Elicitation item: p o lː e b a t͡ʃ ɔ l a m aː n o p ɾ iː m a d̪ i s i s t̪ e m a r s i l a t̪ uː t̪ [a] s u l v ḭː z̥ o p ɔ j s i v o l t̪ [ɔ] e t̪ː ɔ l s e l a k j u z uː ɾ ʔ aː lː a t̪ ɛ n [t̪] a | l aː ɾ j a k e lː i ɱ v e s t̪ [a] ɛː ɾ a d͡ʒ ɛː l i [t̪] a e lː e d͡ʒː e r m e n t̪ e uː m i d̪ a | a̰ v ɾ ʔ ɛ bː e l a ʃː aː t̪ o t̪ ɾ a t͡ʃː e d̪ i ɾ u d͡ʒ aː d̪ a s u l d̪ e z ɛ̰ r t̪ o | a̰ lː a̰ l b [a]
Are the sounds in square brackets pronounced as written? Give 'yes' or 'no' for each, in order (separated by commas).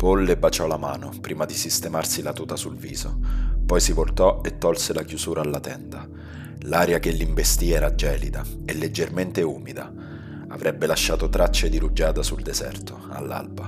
yes, yes, no, no, no, yes